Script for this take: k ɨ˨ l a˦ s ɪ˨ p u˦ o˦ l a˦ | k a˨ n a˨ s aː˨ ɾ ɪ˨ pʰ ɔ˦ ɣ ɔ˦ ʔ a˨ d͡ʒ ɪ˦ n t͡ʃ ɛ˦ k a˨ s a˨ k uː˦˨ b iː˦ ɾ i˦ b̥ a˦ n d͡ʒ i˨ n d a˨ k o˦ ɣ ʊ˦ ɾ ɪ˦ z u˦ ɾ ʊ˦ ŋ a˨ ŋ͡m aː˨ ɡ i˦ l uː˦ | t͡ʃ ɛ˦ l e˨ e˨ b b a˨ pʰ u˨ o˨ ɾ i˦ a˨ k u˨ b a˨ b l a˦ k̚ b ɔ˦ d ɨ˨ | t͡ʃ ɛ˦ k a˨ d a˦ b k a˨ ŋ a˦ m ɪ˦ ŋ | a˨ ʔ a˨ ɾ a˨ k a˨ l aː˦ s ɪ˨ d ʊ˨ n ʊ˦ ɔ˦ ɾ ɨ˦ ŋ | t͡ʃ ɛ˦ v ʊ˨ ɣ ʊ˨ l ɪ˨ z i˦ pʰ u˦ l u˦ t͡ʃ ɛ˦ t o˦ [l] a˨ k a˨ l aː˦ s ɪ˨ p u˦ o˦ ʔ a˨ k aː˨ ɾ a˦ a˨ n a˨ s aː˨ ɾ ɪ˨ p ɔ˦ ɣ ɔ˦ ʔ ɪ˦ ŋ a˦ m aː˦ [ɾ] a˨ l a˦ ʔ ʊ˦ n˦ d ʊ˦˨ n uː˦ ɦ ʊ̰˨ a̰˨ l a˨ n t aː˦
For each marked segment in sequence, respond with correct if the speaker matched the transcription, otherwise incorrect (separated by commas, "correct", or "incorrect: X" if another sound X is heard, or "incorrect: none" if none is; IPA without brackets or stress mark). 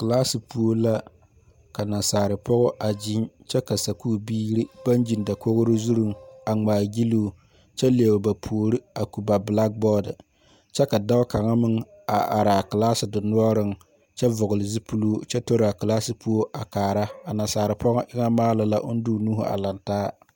incorrect: ɾ, incorrect: l